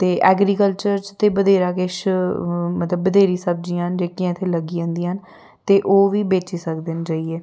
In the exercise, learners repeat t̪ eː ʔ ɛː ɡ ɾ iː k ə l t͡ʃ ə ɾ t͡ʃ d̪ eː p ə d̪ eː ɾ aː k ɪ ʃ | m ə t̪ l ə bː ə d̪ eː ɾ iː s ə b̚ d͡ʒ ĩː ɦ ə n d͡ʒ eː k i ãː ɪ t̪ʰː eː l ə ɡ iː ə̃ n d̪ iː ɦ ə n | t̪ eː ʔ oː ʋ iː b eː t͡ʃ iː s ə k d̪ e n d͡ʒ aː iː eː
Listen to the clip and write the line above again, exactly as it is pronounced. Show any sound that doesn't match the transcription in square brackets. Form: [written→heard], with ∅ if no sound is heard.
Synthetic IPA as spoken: t̪ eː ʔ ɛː ɡ ɾ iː k ə l t͡ʃ ə ɾ t͡ʃ [d̪→t̪] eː [p→b] ə d̪ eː ɾ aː k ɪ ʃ | m ə t̪ l ə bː ə d̪ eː ɾ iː s ə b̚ d͡ʒ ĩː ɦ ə n d͡ʒ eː k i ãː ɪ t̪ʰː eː l ə ɡ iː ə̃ n d̪ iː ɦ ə n | t̪ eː ʔ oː ʋ iː b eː t͡ʃ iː s ə k d̪ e n d͡ʒ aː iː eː